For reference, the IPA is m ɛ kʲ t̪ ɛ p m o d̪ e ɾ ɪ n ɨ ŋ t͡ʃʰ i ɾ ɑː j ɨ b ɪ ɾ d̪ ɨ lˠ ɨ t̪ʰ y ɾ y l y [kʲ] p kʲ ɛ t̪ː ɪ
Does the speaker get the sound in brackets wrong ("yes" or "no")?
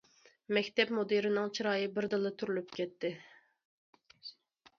yes